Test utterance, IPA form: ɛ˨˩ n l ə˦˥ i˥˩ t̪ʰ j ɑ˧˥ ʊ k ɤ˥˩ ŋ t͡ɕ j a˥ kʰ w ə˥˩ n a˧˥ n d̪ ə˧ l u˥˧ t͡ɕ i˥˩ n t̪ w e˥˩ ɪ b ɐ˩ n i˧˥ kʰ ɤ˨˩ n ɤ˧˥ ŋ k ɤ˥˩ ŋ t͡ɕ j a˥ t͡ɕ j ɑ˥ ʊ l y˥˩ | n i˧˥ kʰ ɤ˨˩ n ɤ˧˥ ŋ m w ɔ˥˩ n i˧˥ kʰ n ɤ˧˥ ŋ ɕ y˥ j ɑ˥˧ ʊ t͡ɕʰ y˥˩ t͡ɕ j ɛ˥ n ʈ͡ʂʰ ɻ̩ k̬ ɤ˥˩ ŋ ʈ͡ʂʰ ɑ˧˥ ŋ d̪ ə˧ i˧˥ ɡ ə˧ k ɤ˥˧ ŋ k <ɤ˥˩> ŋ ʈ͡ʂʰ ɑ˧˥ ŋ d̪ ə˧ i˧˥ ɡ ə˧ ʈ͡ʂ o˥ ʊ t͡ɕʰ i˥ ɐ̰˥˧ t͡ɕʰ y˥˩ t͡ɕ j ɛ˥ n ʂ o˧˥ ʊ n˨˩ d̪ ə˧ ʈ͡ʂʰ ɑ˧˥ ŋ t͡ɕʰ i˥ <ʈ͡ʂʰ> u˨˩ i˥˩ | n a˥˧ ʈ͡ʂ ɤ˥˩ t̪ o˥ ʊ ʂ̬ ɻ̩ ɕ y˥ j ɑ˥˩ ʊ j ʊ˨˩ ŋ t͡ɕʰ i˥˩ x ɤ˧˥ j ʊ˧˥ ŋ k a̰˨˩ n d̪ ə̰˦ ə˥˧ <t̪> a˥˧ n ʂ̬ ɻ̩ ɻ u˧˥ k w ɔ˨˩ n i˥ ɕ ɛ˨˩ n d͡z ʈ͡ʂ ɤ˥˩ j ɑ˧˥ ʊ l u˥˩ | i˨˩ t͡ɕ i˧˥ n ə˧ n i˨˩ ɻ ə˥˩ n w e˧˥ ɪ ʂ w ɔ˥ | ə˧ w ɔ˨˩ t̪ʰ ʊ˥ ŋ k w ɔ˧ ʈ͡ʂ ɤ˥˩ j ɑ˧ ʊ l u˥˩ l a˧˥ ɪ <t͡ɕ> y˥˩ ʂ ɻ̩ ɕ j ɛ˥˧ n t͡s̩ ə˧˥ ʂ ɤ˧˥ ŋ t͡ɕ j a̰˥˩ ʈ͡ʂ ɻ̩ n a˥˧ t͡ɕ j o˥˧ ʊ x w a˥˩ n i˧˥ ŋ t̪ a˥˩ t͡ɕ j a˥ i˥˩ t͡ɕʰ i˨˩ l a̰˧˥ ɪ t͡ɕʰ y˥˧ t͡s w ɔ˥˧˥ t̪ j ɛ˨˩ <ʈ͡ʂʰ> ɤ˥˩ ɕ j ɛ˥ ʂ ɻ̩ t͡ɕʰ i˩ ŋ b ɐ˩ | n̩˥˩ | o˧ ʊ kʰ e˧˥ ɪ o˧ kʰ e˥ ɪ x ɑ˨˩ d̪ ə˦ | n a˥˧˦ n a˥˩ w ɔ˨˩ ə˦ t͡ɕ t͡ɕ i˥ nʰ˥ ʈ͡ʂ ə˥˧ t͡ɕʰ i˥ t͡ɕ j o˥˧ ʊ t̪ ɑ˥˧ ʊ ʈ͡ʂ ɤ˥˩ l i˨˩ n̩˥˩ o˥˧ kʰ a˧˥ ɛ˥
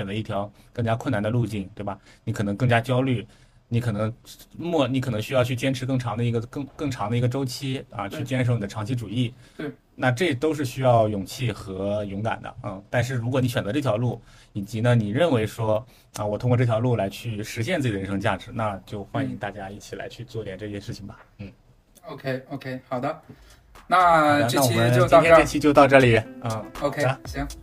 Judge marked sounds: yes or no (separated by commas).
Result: yes, no, yes, no, no